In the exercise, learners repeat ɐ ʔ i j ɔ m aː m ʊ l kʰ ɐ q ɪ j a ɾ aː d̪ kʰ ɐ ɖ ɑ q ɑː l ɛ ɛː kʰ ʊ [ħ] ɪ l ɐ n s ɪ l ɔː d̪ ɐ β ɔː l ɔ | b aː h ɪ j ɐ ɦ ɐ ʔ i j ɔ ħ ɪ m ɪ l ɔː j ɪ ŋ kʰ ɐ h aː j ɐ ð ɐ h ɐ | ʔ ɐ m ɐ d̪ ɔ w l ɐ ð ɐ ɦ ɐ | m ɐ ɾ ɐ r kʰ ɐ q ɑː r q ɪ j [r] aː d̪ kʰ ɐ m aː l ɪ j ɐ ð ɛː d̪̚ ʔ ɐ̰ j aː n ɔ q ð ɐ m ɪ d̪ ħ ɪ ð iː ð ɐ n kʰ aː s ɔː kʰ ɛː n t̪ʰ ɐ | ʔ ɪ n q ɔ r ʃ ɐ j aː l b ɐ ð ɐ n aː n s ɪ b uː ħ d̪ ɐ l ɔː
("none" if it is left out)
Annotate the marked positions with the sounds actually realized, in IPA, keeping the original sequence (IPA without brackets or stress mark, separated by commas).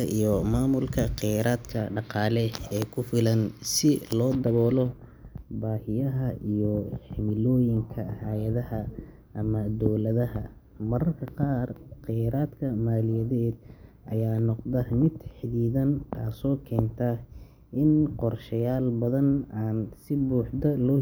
f, ɾ